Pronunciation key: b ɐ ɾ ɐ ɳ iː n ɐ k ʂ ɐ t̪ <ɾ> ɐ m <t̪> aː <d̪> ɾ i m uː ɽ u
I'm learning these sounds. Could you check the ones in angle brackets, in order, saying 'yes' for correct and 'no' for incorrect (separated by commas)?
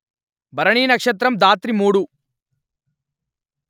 yes, no, no